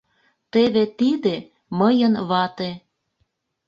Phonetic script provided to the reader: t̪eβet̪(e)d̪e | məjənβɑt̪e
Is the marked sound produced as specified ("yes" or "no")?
no